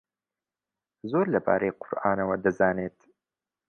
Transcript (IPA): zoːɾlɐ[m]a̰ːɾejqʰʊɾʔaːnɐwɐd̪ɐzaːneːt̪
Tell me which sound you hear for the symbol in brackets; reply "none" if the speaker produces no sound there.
b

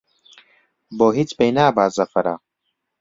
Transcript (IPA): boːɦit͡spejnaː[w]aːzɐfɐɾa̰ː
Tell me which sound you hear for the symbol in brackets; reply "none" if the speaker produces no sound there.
b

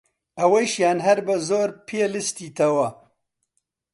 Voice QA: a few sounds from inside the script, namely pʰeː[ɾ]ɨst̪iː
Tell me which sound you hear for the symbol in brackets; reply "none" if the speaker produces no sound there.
l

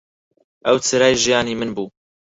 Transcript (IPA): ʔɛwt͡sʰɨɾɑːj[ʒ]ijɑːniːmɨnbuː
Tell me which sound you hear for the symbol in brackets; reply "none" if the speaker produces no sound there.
ʒ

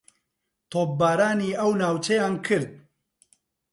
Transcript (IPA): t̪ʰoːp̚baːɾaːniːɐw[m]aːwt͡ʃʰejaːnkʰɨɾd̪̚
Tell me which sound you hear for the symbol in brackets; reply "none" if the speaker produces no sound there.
n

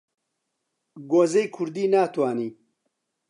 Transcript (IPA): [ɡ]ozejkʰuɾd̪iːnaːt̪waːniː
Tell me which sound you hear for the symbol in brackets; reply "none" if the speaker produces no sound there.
ɡ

